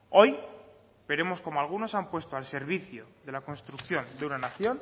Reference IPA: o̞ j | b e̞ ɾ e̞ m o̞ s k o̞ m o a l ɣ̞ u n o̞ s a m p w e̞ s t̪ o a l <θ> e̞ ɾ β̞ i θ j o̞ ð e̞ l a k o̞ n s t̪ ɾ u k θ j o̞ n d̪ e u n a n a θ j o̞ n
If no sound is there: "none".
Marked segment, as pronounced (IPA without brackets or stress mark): s